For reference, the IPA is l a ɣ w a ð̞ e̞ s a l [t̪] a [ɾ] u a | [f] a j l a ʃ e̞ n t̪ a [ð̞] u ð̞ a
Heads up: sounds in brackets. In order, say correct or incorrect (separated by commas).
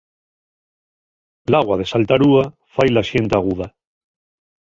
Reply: correct, correct, correct, incorrect